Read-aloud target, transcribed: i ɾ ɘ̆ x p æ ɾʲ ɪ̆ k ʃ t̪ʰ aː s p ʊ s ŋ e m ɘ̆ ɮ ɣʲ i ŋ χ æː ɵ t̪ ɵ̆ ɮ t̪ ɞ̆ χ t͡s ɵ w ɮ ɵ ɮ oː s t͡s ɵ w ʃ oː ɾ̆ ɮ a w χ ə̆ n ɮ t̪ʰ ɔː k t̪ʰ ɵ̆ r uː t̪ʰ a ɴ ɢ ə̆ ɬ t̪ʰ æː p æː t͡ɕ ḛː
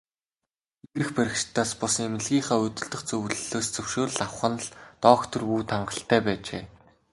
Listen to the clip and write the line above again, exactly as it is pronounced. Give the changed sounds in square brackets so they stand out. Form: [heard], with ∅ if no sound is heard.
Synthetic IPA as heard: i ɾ ɘ̆ x p æ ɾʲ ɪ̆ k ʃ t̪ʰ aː s p ʊ s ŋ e m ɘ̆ ɮ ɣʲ [iː] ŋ χ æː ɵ t̪ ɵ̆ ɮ t̪ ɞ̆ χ t͡s ɵ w ɮ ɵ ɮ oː s t͡s ɵ w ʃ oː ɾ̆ ɮ a w χ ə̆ n ɮ [t̪] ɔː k t̪ʰ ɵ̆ r uː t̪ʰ a ɴ ɢ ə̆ ɬ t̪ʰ æː p æː t͡ɕ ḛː